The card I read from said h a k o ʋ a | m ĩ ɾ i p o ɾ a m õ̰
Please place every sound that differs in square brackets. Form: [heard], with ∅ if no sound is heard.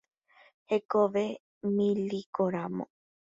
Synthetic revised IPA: h [e] k o ʋ [e] | m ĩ [l] i [k] o ɾ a m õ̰